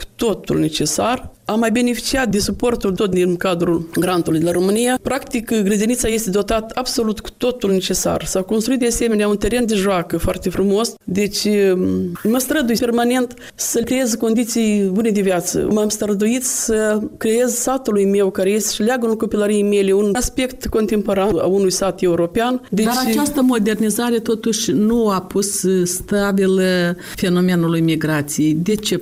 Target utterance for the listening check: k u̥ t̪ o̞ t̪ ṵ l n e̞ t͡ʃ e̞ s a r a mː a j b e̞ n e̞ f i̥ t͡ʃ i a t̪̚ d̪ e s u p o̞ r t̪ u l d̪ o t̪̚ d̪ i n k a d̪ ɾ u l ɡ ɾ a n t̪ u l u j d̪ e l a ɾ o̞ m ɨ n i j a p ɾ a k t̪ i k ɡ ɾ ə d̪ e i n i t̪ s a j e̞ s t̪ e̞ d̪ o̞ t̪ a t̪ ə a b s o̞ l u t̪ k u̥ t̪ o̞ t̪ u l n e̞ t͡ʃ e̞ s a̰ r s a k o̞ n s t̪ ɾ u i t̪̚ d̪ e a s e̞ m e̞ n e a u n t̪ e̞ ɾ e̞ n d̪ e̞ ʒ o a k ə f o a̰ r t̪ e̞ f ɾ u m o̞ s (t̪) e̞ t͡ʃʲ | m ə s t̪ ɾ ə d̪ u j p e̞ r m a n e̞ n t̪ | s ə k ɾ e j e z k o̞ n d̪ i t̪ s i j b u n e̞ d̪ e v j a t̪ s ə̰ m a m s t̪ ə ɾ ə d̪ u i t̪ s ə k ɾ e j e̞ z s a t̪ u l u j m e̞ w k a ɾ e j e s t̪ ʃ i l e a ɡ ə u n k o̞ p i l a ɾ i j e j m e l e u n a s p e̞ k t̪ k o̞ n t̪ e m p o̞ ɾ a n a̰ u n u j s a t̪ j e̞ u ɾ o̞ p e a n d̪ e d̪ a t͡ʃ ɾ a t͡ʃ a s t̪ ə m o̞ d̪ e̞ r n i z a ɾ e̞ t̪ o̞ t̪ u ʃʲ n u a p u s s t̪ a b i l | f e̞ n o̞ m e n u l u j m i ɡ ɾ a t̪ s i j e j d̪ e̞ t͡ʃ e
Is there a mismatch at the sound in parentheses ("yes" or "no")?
yes